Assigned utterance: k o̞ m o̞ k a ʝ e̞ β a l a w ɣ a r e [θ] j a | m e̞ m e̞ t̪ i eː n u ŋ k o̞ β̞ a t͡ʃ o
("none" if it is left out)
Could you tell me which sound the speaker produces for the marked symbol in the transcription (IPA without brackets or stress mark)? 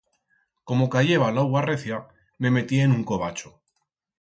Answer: θ